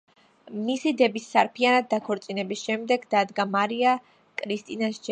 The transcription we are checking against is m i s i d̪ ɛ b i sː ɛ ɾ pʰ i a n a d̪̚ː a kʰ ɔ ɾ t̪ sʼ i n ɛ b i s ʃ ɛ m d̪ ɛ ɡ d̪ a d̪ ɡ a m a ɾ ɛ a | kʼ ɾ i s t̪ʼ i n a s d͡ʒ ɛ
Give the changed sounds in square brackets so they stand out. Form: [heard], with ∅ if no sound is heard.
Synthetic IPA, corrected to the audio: m i s i d̪ ɛ b i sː [a] ɾ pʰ i a n a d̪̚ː a kʰ ɔ ɾ t̪ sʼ i n ɛ b i s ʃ ɛ m d̪ ɛ ɡ d̪ a d̪ ɡ a m a ɾ [i] a | kʼ ɾ i s t̪ʼ i n a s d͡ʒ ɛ